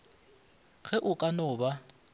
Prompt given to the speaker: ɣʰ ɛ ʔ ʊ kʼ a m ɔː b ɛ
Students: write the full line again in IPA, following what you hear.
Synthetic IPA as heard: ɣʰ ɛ ʔ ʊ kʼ a n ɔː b a

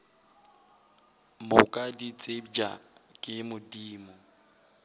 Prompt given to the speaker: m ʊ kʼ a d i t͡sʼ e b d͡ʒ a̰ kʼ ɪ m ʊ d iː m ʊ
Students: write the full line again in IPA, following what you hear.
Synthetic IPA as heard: m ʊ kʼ a d i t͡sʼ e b d͡ʒ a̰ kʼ ɪ m ʊ d iː m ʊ

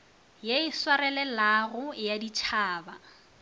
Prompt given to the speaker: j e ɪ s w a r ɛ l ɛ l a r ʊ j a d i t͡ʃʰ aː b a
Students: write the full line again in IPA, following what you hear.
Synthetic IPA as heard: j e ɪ s w a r ɛ l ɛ l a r ʊ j a d i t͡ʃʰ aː b a

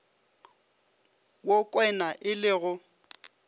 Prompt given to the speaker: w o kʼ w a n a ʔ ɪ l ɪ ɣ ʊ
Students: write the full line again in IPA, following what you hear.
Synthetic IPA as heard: w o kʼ w ɛ n a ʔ ɪ l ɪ ɣ ʊ

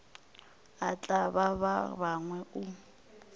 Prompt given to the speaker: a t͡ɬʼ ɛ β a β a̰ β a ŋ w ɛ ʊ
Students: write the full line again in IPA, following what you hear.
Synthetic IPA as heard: a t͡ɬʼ a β a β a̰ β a ŋ w ɛ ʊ

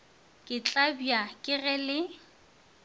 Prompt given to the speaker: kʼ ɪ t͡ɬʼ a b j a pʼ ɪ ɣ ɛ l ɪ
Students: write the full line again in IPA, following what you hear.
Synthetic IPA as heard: kʼ ɪ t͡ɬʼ a b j a kʼ ɪ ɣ ɛ l ɪ

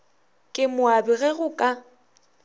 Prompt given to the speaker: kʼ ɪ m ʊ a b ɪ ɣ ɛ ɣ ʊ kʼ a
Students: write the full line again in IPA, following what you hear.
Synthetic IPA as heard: kʼ ɪ m ʊ a b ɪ ɣ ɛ ɣ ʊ kʼ a

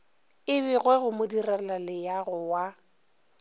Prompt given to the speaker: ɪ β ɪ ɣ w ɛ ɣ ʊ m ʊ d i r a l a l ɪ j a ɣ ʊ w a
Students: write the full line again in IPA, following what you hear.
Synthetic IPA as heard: ɪ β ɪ ɣ w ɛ ɣ ʊ m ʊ d i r a l a l ɪ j a ɣ ʊ w a

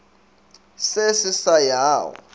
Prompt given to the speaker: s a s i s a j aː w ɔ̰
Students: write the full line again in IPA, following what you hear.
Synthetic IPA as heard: s e s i s a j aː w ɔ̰

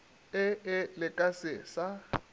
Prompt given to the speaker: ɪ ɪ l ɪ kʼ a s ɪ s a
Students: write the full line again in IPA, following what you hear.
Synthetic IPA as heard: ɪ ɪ l ɪ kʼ a s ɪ s a

